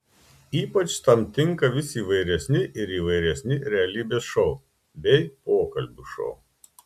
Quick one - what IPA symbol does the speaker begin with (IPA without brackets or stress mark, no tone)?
iː